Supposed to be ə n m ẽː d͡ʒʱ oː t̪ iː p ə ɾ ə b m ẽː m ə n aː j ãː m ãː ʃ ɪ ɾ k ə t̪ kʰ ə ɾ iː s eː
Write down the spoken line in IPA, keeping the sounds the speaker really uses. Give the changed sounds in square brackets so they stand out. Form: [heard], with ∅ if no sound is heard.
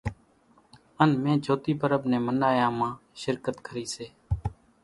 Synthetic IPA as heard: ə n m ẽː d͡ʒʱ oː t̪ iː p ə ɾ ə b [n] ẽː m ə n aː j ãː m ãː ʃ ɪ ɾ k ə t̪ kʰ ə ɾ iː s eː